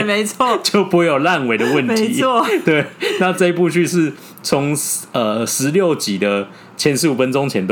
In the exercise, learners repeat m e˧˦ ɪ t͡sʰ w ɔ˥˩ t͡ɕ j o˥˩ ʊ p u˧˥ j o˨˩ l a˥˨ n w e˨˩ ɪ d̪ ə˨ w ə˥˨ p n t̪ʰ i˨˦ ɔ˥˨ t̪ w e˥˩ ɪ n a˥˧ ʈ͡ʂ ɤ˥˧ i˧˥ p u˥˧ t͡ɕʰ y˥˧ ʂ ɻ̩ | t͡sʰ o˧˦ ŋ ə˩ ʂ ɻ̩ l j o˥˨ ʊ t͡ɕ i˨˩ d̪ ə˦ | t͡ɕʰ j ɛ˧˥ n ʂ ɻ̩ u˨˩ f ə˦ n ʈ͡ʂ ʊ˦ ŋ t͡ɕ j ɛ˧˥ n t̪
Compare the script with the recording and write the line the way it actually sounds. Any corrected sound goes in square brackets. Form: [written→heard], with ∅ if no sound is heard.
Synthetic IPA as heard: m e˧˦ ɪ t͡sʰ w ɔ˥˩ t͡ɕ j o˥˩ ʊ p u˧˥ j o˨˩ l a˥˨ n w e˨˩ ɪ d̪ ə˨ w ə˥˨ [p→∅] n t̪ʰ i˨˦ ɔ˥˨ t̪ w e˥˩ ɪ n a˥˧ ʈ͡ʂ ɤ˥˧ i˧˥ p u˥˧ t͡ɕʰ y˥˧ ʂ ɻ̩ | t͡sʰ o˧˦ ŋ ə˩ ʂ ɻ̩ l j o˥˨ ʊ t͡ɕ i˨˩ d̪ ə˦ | t͡ɕʰ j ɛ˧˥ n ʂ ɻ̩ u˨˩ f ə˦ n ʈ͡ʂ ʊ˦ ŋ [t͡ɕ→t͡ɕʰ] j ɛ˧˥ n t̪